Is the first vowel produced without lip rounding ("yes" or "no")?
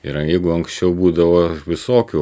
yes